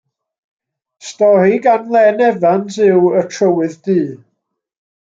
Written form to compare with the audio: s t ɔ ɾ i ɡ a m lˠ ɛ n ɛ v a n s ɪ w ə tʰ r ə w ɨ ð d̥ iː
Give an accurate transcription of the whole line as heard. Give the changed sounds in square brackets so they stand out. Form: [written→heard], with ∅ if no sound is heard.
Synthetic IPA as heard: s t ɔ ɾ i ɡ a [m→n] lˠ ɛ n ɛ v a n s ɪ w ə tʰ r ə w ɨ ð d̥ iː

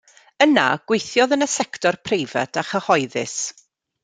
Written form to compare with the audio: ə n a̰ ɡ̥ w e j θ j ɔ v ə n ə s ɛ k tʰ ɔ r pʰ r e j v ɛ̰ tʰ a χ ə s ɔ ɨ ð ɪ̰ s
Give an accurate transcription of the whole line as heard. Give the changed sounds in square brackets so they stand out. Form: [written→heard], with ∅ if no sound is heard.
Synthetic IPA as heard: ə n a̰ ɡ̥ w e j θ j ɔ [v→ð] ə n ə s ɛ k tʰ ɔ r pʰ r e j v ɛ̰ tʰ a χ ə [s→h] ɔ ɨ ð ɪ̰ s

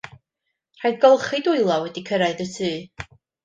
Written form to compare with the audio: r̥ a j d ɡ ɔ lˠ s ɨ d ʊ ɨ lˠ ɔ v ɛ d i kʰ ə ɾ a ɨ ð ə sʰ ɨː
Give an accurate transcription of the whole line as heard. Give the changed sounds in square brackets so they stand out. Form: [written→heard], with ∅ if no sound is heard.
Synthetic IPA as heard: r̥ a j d ɡ ɔ lˠ [s→χ] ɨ d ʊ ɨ lˠ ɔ [v→w] ɛ d i kʰ ə ɾ a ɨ ð ə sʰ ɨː

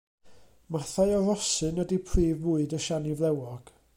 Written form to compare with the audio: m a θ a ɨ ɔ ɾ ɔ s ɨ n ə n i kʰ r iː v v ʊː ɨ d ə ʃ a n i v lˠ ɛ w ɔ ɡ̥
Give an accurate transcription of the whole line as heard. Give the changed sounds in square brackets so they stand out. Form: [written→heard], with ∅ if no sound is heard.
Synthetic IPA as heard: m a θ a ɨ ɔ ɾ ɔ s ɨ n ə [n→d] i [kʰ→pʰ] r iː v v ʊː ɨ d ə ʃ a n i v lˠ ɛ w ɔ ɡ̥

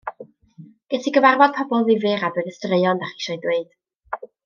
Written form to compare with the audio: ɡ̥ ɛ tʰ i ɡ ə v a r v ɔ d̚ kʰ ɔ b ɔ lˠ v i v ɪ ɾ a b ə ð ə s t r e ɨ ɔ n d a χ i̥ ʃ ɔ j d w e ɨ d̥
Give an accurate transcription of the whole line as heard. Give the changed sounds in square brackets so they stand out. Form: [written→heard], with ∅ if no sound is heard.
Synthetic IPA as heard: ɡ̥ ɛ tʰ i ɡ ə v a r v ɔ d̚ [kʰ→pʰ] ɔ b ɔ lˠ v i v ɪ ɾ a b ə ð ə s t r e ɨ ɔ n d a χ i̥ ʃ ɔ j d w e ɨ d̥

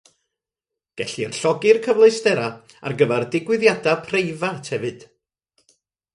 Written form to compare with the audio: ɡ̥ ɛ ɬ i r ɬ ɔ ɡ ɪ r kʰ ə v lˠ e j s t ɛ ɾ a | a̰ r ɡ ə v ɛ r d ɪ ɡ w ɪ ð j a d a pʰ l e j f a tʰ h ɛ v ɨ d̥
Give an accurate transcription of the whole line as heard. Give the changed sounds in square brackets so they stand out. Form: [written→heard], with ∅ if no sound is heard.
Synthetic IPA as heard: ɡ̥ ɛ ɬ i r ɬ ɔ ɡ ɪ r kʰ ə v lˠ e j s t ɛ ɾ a | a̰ r ɡ ə v ɛ r d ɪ ɡ w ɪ ð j a d a pʰ [l→r] e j [f→v] a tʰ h ɛ v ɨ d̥

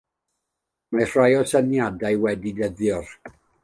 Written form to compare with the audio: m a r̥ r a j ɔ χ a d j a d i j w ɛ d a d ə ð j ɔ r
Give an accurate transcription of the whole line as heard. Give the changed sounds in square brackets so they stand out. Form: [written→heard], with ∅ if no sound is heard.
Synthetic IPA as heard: m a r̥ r a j ɔ [χ→s] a [d→n] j a d [i→a] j w ɛ d [a→i] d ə ð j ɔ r

